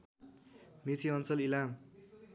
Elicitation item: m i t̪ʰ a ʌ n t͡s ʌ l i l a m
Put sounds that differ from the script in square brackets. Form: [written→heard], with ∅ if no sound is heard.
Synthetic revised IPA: m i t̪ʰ [a→i] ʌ n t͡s ʌ l i l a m